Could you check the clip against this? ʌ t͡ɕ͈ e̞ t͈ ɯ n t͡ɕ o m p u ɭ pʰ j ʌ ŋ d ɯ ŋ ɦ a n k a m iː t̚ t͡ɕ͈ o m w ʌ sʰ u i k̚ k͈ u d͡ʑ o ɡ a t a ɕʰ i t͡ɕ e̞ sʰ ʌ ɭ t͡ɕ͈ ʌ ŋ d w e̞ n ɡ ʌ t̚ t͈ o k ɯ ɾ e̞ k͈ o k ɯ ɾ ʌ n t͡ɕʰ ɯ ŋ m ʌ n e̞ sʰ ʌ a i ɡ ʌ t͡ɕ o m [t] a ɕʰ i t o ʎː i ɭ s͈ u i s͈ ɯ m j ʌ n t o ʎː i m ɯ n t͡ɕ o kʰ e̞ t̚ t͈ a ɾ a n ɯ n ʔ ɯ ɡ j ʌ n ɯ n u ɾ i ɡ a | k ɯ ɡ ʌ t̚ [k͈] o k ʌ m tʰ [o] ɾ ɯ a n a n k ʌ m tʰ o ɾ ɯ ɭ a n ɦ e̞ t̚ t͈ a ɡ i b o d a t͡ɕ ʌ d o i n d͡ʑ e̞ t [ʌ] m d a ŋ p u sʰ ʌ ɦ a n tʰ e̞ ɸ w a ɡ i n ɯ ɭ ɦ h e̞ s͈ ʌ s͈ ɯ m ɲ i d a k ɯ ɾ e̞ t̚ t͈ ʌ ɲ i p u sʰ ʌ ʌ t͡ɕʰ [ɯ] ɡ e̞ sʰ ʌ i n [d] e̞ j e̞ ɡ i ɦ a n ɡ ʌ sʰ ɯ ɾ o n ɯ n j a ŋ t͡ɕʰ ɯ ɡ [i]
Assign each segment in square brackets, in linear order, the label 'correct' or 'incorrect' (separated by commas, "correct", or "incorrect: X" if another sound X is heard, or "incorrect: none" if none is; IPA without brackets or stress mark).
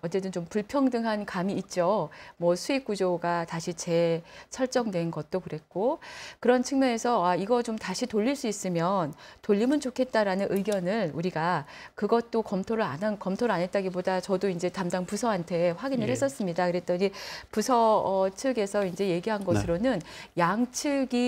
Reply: correct, incorrect: t͈, correct, incorrect: a, correct, incorrect: d͡ʑ, correct